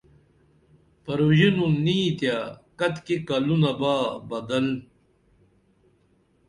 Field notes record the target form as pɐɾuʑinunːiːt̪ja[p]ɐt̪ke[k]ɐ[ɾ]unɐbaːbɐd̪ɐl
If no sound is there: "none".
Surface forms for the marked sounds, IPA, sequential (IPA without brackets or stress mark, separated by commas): k, k, l